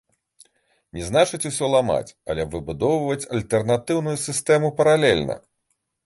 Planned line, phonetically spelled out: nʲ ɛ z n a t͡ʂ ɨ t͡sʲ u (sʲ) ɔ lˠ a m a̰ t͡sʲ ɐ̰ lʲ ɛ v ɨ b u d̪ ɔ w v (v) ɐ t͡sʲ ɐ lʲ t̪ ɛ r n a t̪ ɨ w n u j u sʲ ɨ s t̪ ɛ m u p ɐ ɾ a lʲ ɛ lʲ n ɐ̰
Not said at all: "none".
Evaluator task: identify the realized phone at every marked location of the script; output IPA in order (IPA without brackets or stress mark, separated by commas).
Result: sʲ, v